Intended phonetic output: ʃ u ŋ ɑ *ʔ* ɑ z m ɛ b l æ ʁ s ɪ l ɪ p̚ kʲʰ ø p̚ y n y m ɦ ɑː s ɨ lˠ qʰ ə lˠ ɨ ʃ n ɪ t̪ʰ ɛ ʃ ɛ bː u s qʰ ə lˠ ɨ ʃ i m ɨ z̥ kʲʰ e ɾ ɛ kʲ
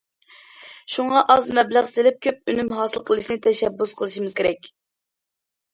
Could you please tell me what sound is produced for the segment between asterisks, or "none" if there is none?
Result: ʔ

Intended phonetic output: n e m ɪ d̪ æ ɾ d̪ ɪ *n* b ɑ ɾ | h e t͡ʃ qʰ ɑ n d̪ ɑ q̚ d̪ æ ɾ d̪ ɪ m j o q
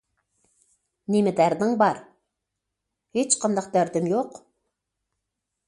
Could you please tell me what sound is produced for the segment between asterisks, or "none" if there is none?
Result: ŋ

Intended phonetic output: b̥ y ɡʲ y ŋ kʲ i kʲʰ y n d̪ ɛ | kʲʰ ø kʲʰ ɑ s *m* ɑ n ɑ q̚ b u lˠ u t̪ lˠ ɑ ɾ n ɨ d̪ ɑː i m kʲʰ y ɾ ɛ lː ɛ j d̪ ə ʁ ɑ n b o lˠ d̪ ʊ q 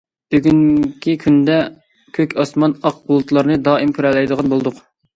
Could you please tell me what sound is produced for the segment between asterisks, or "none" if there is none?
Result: m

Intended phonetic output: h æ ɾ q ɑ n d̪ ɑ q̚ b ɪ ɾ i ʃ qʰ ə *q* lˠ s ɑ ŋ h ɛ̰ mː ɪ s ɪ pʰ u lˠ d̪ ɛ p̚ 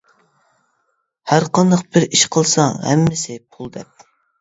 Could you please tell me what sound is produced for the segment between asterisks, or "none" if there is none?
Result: none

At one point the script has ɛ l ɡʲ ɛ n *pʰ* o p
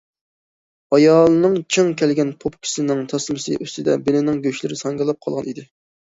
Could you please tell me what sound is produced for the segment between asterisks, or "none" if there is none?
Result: pʰ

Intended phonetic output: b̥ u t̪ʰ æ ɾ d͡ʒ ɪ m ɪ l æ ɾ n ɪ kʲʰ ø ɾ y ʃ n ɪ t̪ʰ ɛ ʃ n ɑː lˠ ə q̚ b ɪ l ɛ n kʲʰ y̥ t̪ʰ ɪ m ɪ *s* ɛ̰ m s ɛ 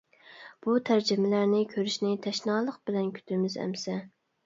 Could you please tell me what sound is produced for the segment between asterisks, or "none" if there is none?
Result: z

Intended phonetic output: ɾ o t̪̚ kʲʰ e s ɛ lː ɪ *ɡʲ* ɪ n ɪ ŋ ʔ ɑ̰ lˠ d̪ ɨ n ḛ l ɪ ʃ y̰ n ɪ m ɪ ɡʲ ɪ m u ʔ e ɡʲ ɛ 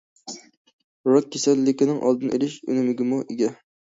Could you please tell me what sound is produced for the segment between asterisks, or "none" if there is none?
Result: kʲ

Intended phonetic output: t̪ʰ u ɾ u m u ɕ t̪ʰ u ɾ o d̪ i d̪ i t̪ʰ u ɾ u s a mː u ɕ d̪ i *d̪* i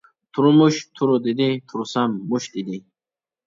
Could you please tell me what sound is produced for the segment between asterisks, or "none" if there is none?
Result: d̪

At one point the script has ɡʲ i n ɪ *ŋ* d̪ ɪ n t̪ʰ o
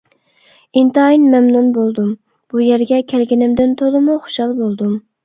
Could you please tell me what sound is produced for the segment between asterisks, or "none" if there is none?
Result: m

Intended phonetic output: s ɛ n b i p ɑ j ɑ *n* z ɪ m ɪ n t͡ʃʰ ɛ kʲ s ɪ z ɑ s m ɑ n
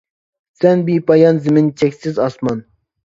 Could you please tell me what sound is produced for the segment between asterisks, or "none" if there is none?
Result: n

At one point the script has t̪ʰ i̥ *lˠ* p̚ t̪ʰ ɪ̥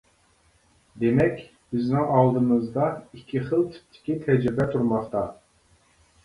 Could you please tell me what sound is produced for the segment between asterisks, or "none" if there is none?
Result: none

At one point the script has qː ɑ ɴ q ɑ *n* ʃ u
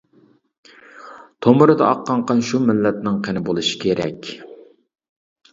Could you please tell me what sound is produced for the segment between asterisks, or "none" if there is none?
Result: n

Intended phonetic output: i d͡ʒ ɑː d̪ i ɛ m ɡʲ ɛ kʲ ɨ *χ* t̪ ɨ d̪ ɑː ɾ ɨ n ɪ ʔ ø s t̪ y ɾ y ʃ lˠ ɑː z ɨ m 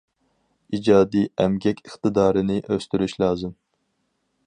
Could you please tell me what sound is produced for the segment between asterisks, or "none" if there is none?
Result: χ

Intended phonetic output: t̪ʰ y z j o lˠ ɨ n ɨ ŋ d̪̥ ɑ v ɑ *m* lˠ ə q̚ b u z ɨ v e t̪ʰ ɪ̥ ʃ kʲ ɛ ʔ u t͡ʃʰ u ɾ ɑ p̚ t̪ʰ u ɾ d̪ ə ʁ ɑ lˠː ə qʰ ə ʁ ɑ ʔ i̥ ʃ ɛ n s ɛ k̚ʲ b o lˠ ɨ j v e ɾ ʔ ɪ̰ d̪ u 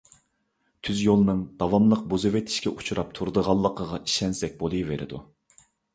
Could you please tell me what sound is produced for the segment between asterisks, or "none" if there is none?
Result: m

